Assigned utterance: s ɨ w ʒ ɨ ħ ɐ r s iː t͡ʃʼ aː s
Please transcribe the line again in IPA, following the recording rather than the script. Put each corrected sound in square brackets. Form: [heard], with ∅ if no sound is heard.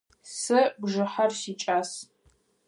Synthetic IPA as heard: s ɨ [b] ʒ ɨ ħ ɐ r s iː t͡ʃʼ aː s

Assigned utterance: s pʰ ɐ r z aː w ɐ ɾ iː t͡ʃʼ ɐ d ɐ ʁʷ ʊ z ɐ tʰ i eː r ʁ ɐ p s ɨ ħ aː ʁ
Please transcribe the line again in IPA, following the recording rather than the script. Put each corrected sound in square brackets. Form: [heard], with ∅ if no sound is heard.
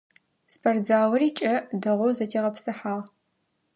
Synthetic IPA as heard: s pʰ ɐ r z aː w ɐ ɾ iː t͡ʃʼ ɐ d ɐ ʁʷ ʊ z ɐ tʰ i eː [∅] ʁ ɐ p s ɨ ħ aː ʁ

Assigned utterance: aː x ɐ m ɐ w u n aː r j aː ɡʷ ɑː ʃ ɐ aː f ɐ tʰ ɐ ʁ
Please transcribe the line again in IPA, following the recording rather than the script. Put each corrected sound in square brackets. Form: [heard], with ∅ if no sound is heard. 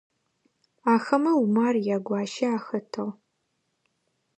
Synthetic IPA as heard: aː x ɐ m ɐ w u [m] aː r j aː ɡʷ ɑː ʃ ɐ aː [x] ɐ tʰ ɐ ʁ

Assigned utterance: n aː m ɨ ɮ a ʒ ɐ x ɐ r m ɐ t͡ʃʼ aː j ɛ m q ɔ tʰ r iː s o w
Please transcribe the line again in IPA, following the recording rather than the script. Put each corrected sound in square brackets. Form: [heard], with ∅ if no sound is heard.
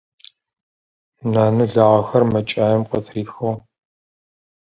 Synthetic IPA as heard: n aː [n] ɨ ɮ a [ʁ] ɐ x ɐ r m ɐ t͡ʃʼ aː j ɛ m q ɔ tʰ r iː [x] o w

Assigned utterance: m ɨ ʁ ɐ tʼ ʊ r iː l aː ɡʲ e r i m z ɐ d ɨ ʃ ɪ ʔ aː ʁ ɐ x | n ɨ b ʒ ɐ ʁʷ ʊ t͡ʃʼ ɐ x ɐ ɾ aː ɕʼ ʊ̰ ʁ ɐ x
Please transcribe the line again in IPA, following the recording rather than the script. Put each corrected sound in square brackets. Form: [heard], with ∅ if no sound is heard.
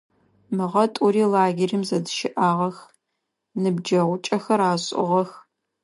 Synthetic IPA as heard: m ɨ ʁ ɐ tʼ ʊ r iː l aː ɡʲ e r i m z ɐ d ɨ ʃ ɪ ʔ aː ʁ ɐ x | n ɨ b [d͡ʒ] ɐ ʁʷ ʊ t͡ʃʼ ɐ x ɐ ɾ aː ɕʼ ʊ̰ ʁ ɐ x

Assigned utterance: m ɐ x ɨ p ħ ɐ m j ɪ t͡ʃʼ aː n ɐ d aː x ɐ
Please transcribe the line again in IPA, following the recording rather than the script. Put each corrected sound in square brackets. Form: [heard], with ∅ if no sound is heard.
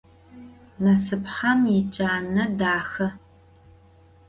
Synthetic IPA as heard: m ɐ [s] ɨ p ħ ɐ m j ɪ t͡ʃʼ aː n ɐ d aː x ɐ

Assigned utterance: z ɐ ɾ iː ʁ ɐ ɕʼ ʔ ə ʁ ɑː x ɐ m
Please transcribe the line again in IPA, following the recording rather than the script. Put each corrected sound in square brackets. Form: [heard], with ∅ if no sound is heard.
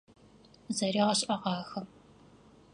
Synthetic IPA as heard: z ɐ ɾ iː ʁ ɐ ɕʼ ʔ [ɐ] ʁ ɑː x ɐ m

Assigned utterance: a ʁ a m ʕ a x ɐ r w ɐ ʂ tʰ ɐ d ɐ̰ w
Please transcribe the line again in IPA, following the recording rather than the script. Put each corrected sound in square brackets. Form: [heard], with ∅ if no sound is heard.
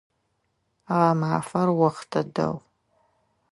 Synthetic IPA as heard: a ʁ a m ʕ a [f] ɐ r w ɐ [χ] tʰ ɐ d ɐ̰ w

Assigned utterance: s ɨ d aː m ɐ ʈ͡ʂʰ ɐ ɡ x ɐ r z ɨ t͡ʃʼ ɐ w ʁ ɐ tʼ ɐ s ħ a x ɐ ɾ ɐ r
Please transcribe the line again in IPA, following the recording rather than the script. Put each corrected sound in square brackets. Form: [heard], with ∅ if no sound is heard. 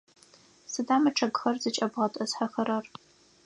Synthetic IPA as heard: s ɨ d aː m ɐ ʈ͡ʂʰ ɐ ɡ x ɐ r z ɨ t͡ʃʼ ɐ [b] ʁ ɐ tʼ ɐ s ħ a x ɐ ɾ ɐ r

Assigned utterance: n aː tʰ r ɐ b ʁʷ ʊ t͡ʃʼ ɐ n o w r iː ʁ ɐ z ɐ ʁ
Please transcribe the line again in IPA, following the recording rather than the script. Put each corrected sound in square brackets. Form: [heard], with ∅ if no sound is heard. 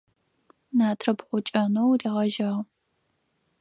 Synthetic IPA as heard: n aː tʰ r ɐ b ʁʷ ʊ t͡ʃʼ ɐ n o w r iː ʁ ɐ [ʒ] ɐ ʁ

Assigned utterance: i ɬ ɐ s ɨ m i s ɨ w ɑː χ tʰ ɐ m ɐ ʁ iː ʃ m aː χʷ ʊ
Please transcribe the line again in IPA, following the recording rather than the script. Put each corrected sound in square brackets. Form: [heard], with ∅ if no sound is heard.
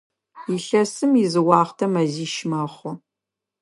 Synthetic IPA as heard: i ɬ ɐ s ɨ m i [z] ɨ w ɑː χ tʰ ɐ m ɐ [z] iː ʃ m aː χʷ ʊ

